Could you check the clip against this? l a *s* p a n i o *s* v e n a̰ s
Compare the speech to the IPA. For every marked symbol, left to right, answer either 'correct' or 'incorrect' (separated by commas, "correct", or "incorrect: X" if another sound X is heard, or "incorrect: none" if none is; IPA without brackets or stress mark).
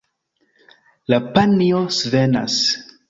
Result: incorrect: none, correct